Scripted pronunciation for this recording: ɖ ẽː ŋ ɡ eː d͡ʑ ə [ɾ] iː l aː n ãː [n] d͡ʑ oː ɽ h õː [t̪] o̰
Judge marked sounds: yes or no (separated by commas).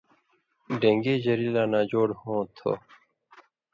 yes, no, no